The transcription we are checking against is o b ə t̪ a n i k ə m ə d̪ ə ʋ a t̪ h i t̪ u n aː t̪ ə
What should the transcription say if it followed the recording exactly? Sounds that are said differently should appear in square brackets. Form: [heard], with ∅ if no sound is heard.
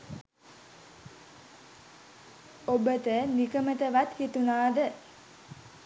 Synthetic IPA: o b ə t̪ [ə] n i k ə m ə [t̪] ə ʋ a t̪ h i t̪ u n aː [d̪] ə